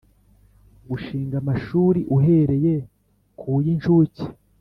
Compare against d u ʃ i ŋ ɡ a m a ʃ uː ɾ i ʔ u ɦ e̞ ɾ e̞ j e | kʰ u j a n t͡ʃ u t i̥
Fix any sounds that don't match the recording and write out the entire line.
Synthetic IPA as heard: ɡ u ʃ iː ŋ ɡ a m a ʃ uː ɾ i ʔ u ɦ e̞ ɾ e̞ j e | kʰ u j i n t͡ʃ u c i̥